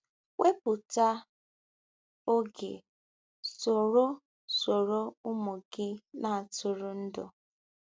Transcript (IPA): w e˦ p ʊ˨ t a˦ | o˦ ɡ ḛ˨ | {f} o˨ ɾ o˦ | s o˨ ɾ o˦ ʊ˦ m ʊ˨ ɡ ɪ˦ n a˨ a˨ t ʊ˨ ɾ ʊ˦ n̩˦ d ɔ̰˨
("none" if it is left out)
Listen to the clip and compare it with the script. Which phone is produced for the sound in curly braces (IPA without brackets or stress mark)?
s